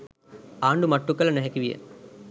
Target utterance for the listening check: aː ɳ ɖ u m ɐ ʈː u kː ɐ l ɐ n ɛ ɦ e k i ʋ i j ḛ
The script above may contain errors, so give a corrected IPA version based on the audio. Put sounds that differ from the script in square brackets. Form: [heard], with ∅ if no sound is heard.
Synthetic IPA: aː ɳ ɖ u m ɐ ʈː u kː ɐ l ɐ n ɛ ɦ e k i ʋ i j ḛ